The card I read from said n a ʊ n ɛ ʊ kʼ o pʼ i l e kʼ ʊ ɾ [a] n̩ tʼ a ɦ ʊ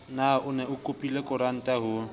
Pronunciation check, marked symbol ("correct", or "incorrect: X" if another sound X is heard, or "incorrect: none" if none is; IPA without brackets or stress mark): correct